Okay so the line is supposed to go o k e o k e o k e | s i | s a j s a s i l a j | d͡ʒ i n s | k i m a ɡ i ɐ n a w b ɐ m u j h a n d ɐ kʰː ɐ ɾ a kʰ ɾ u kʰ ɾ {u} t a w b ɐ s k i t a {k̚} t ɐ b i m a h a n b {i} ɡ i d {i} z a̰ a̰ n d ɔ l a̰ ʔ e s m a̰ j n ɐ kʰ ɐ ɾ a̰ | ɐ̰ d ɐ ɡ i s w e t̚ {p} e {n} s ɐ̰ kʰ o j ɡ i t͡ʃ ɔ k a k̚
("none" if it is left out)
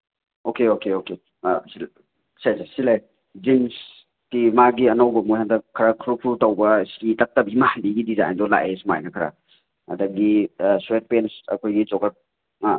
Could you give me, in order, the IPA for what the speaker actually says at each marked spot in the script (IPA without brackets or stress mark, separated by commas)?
u, k̚, i, i, p, n